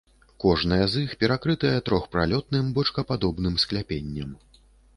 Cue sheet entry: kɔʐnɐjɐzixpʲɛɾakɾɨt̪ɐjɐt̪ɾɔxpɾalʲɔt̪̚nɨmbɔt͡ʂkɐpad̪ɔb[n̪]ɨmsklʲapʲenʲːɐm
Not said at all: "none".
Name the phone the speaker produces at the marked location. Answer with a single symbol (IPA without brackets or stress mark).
n̪